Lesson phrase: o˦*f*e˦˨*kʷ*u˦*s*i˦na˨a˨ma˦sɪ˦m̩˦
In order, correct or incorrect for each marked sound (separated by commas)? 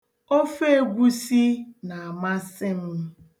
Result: correct, incorrect, correct